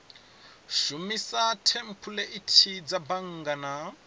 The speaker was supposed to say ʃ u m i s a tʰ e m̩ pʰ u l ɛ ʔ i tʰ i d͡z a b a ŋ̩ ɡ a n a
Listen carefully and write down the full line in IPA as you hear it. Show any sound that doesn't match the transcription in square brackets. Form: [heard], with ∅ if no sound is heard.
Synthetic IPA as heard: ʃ u m i s a tʰ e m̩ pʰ u l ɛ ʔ i tʰ i d͡z a b a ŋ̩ ɡ a n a